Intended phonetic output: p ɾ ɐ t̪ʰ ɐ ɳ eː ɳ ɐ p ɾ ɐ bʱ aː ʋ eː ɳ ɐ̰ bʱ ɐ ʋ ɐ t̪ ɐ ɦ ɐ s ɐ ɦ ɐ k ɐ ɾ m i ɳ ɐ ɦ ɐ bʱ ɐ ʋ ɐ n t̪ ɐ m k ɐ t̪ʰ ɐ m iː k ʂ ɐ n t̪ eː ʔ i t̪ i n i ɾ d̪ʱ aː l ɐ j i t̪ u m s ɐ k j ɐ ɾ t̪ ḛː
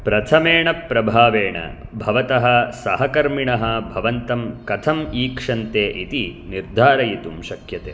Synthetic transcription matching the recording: p ɾ ɐ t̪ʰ ɐ m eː ɳ ɐ p ɾ ɐ bʱ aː ʋ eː ɳ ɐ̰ bʱ ɐ ʋ ɐ t̪ ɐ ɦ ɐ s ɐ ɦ ɐ k ɐ ɾ m i ɳ ɐ ɦ ɐ bʱ ɐ ʋ ɐ n t̪ ɐ m k ɐ t̪ʰ ɐ m iː k ʂ ɐ n t̪ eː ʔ i t̪ i n i ɾ d̪ʱ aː ɾ ɐ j i t̪ u m ʃ ɐ k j ɐ t̪ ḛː

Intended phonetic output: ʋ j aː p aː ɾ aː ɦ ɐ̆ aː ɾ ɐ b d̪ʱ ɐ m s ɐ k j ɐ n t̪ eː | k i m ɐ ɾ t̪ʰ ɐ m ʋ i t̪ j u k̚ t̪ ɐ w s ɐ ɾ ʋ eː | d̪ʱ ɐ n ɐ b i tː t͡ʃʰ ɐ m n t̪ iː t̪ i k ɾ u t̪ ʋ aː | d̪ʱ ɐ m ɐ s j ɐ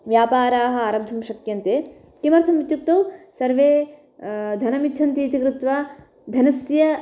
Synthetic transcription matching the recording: ʋ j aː p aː ɾ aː ɦ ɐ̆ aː ɾ ɐ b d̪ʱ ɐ m ʃ ɐ k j ɐ n t̪ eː | k i m ɐ ɾ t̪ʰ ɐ m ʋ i t̪ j u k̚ t̪ ɐ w s ɐ ɾ ʋ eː | d̪ʱ ɐ n ɐ m i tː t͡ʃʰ ɐ n t̪ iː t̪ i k ɾ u t̪ ʋ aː | d̪ʱ ɐ n ɐ s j ɐ

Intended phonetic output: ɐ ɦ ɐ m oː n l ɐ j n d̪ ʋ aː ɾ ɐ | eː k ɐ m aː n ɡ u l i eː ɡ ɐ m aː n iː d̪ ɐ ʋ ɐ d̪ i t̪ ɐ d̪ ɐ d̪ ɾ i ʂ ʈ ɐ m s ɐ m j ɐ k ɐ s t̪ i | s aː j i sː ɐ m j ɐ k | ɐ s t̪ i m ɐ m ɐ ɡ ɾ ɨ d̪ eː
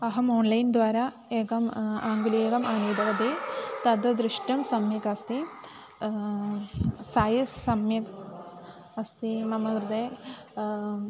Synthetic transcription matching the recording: ɐ ɦ ɐ m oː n l ɐ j n d̪ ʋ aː ɾ ɐ | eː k ɐ m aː ŋ ɡ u l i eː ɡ ɐ m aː n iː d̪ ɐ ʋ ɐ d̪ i t̪ ɐ d̪ ɐ d̪ ɾ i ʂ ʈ ɐ m s ɐ m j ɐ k ɐ s t̪ i | s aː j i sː ɐ m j ɐ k | ɐ s t̪ i m ɐ m ɐ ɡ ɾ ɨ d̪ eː

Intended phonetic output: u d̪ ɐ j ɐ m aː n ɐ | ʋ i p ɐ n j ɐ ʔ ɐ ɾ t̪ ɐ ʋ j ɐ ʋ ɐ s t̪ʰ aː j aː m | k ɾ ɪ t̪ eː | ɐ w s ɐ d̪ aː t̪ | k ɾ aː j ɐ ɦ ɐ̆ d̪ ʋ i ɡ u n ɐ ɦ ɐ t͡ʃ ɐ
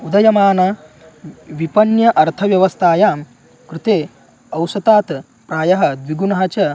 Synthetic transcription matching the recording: u d̪ ɐ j ɐ m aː n ɐ | ʋ i p ɐ n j ɐ ʔ ɐ ɾ t̪ʰ ɐ ʋ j ɐ ʋ ɐ s t̪ʰ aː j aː m | k ɾ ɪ t̪ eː | ɐ w s ɐ t̪ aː t̪ | p ɾ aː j ɐ ɦ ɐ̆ d̪ ʋ i ɡ u n ɐ ɦ ɐ t͡ʃ ɐ

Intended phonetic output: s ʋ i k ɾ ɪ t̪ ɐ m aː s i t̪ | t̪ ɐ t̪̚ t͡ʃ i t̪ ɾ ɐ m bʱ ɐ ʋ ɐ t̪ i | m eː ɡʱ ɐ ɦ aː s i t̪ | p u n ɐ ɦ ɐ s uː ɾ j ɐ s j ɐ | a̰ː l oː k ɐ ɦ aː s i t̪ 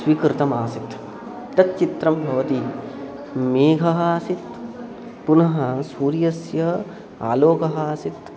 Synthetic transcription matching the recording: s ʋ i k ɾ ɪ t̪ ɐ m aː s i t̪ | t̪ ɐ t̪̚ t͡ʃ i t̪ ɾ ɐ m bʱ ɐ ʋ ɐ t̪ i | m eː ɡʱ ɐ ɦ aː s i t̪ | p u n ɐ ɦ ɐ s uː ɾ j ɐ s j ɐ | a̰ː l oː k ɐ ɦ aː s i t̪

